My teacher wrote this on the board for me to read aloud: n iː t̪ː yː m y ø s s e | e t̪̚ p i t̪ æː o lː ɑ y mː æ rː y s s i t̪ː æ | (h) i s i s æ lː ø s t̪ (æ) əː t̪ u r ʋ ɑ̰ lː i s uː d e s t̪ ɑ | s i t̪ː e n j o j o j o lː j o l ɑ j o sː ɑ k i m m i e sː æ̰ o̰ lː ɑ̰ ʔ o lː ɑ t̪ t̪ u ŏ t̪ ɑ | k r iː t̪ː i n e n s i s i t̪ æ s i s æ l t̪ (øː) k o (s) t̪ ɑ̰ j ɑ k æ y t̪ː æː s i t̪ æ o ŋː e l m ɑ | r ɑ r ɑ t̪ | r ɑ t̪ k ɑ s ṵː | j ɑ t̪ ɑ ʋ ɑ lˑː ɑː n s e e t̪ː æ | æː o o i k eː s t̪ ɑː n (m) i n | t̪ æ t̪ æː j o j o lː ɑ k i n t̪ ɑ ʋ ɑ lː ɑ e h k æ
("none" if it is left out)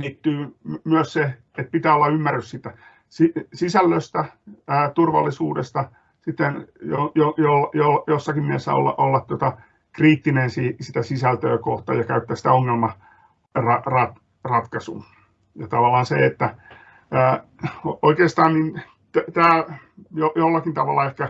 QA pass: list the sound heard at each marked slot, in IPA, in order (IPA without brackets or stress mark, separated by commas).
s, æ, øː, h, n